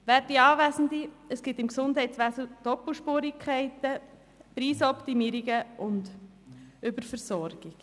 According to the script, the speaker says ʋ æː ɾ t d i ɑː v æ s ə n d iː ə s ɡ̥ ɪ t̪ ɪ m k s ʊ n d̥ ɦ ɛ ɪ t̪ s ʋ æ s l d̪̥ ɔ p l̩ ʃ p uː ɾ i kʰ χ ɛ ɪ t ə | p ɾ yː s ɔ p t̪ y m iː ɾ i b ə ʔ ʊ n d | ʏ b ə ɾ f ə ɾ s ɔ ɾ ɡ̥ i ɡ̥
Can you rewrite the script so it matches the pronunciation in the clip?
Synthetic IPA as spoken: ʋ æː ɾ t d i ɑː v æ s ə n d i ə s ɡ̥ ɪ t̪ ɪ m k s ʊ n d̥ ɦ ɛ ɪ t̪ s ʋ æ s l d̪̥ ɔ p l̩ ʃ p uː ɾ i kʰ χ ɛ ɪ t ə | p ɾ iː s ɔ p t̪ i m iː ɾ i ɡ ə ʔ ʊ n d | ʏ b ə ɾ f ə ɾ s ɔ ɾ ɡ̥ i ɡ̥